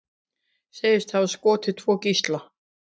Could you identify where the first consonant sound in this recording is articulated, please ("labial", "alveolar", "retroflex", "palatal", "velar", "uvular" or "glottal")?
alveolar